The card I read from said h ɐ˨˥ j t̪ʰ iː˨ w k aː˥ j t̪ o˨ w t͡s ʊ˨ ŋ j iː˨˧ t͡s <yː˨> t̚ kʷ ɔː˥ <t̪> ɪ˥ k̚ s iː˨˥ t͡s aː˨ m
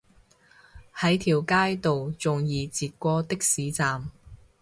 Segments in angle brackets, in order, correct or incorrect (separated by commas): incorrect, correct